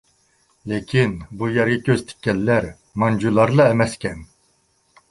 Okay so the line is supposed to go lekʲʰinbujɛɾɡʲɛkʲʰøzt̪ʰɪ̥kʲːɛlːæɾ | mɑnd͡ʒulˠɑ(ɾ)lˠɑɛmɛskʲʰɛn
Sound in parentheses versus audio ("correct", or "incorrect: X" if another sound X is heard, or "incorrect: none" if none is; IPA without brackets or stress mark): correct